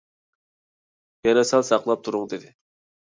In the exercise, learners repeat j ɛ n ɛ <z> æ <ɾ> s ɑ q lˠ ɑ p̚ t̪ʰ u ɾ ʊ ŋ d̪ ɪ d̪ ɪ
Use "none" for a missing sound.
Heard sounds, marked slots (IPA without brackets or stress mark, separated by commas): s, l